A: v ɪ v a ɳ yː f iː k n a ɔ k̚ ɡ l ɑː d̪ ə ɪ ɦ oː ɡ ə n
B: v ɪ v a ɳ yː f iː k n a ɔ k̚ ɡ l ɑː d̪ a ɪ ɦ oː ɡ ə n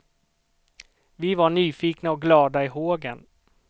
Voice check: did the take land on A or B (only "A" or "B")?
B